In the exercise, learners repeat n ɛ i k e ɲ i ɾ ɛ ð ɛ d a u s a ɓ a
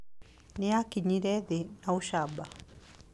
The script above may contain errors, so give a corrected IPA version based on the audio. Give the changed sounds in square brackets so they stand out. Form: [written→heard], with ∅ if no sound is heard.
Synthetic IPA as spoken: n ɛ [i→a] k [e→i] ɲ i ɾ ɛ ð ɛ [d→n] a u [s→ʃ] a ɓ a